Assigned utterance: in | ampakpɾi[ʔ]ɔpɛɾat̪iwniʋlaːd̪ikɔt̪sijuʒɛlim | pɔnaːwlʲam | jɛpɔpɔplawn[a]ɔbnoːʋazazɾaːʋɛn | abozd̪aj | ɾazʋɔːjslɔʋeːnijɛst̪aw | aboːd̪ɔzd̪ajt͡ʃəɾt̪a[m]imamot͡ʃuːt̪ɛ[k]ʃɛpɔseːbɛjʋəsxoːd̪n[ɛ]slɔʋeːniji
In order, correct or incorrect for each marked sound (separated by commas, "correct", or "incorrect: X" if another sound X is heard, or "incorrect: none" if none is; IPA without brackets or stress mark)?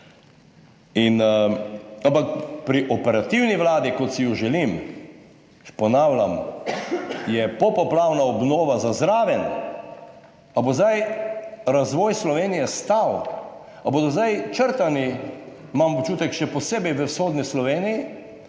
correct, correct, incorrect: n, correct, incorrect: i